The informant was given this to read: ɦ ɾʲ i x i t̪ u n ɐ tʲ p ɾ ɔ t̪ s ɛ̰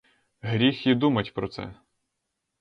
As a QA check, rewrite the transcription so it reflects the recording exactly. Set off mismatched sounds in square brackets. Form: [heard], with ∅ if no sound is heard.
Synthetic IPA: ɦ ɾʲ i x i [d̪] u [m] ɐ tʲ p ɾ ɔ t̪ s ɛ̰